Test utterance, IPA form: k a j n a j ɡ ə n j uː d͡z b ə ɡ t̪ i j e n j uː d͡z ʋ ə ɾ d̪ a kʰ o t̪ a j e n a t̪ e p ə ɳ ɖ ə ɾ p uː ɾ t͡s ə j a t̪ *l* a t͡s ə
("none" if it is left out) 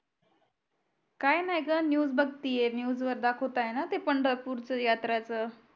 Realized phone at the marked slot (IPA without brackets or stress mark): ɾ